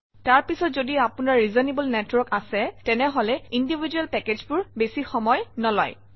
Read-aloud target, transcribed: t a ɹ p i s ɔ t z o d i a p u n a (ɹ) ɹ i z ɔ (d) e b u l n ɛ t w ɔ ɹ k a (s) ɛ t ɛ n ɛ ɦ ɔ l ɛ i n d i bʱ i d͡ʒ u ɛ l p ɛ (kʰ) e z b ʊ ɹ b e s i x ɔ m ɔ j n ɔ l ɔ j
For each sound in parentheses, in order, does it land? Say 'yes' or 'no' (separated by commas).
yes, no, yes, no